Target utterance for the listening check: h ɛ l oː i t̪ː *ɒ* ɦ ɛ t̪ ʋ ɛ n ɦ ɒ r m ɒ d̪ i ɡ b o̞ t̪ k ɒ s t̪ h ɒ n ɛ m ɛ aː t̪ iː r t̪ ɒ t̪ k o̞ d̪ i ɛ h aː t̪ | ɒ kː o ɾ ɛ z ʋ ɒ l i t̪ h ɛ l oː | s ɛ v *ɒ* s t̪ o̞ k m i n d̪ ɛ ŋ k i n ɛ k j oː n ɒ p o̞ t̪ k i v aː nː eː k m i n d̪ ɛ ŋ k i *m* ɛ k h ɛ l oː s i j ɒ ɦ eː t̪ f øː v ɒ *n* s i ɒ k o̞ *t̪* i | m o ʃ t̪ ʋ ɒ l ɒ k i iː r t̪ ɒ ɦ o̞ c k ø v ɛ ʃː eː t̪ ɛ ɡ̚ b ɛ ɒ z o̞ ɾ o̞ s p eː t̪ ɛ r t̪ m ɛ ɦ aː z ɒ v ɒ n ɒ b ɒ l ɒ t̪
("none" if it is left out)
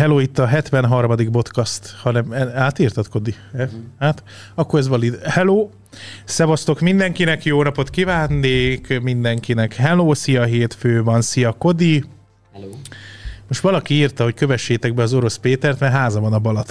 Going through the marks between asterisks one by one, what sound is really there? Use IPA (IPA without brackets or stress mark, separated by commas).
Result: ɒ, ɒ, n, n, d̪